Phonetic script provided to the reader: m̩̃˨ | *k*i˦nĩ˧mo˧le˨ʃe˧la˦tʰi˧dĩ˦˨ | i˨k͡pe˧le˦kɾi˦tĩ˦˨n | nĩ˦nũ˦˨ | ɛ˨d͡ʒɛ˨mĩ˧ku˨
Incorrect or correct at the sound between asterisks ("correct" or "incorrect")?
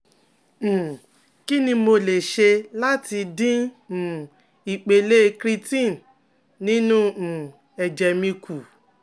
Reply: correct